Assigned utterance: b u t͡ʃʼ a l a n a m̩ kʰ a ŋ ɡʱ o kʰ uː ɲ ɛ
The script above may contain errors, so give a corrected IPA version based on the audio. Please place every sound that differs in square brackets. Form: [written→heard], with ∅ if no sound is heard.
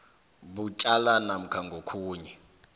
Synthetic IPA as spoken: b u t͡ʃʼ a l a n a m̩ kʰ a ŋ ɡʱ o kʰ uː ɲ ɛ

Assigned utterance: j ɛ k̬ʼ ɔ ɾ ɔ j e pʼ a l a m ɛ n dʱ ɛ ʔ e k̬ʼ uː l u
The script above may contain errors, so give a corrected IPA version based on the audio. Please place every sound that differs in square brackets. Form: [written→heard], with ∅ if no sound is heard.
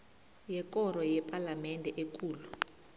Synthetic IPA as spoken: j ɛ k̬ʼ ɔ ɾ ɔ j [e→ɛ] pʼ a l a m ɛ n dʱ ɛ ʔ e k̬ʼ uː l u

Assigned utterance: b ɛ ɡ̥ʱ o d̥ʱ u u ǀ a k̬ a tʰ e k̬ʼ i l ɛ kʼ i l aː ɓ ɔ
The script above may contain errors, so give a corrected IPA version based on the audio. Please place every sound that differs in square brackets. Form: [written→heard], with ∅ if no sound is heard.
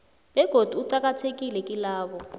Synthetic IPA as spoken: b ɛ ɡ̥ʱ o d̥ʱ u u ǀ a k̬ a tʰ e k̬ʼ i l ɛ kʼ i l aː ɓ ɔ

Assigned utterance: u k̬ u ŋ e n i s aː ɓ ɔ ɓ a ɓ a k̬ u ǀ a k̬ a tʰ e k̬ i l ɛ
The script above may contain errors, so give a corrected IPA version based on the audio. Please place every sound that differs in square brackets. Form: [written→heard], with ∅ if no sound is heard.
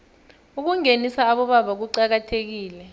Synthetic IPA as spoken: u k̬ u ŋ e n i s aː ɓ ɔ ɓ a ɓ a k̬ u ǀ a k̬ a tʰ e k̬ [i→iː] l ɛ

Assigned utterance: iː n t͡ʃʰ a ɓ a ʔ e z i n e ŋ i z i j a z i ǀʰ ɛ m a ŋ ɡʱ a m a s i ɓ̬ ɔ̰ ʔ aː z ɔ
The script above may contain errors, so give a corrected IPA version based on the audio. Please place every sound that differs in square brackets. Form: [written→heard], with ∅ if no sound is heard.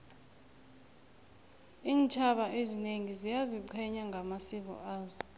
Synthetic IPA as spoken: iː n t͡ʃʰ a ɓ a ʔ e z i n e ŋ i z i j a z i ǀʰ ɛ [m→ɲ] a ŋ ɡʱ a m a s i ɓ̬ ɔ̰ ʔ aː z ɔ

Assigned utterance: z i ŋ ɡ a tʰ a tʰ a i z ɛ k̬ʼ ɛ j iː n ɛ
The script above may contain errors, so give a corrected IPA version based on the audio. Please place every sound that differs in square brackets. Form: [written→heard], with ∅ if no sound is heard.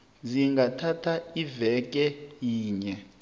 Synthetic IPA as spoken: z i ŋ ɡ a tʰ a tʰ a i [z→v] ɛ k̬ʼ ɛ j iː [n→ɲ] ɛ

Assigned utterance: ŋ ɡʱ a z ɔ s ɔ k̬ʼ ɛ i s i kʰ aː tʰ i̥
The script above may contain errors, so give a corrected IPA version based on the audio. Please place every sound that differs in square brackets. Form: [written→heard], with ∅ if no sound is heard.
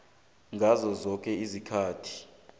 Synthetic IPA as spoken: ŋ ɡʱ a z ɔ [s→z] ɔ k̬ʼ ɛ i [s→z] i kʰ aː tʰ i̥

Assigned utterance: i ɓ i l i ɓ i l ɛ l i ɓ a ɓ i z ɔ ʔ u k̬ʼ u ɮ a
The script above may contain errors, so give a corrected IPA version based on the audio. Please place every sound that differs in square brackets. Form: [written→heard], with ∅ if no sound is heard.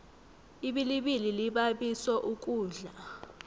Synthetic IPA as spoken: i ɓ i l i ɓ i l [ɛ→i] l i ɓ a ɓ i [z→s] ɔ ʔ u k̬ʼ [u→uː] ɮ a

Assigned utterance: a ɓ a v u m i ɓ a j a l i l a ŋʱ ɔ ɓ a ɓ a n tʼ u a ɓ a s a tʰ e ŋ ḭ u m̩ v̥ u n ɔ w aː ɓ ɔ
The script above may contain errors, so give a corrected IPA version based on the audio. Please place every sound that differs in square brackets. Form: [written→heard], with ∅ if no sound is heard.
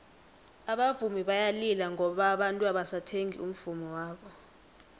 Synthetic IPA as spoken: a ɓ a v u m i ɓ a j a l i l a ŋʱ ɔ ɓ a ɓ a n tʼ u a ɓ a s a tʰ e ŋ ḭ u m̩ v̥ u [n→m] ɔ w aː ɓ ɔ

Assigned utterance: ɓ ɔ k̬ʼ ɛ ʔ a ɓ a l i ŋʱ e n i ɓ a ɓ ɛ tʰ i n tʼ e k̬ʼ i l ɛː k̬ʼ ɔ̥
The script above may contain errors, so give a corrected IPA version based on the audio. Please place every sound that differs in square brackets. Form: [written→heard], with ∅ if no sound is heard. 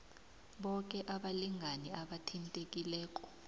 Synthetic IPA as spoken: ɓ ɔ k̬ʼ ɛ ʔ a ɓ a l i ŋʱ [e→a] n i [ɓ→∅] a ɓ [ɛ→a] tʰ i n tʼ e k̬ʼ i l ɛː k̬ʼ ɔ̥

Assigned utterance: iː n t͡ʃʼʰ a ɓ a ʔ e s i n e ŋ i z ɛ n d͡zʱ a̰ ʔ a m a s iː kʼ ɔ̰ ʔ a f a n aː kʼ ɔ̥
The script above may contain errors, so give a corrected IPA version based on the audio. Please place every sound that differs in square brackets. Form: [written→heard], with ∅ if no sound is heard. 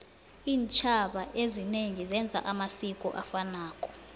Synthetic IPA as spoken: iː n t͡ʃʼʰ a ɓ a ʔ e [s→z] i n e ŋ i z ɛ n d͡zʱ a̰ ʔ a m a s [iː→i] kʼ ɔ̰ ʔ a f a n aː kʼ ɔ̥

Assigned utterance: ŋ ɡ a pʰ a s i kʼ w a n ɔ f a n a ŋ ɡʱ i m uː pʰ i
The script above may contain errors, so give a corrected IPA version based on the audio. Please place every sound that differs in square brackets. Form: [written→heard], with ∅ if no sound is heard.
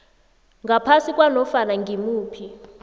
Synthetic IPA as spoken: ŋ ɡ a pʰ a s i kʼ w a n ɔ f a n a ŋ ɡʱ i m uː pʰ i

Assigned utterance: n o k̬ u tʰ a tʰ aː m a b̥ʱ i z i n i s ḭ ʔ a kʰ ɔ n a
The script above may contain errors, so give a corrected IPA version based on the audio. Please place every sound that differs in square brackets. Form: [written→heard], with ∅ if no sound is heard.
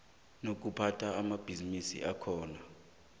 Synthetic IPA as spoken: n o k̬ u [tʰ→pʰ] a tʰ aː m a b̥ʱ i z i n i s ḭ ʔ a kʰ [ɔ→ɔː] n a

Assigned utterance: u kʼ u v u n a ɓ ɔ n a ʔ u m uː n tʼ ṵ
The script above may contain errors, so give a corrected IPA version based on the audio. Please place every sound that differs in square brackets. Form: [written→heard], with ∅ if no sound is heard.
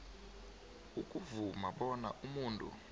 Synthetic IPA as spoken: u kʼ u v u [n→m] a ɓ ɔ n a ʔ u m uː n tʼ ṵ

